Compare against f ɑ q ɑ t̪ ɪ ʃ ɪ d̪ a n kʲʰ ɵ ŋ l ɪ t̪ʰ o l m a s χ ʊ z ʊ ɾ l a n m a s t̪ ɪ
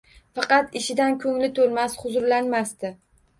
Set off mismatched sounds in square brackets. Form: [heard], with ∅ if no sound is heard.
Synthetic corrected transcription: f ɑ q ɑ t̪ ɪ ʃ ɪ d̪ a n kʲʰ ɵ ŋ l ɪ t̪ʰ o l m a s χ ʊ z ʊ ɾ l a n m a s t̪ ɪ